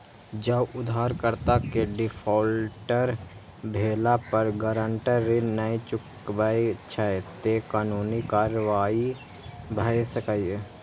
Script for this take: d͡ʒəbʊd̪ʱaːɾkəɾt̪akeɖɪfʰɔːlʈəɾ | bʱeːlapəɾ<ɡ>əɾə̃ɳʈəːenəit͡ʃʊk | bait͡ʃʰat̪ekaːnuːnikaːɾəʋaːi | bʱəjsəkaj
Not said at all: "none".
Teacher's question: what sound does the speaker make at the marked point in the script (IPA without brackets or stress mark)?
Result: ɡ